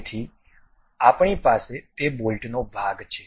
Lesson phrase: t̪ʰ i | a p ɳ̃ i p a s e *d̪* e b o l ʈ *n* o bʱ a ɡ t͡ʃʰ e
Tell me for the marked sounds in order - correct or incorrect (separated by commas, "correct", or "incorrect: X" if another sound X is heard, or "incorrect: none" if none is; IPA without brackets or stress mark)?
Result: incorrect: t̪, correct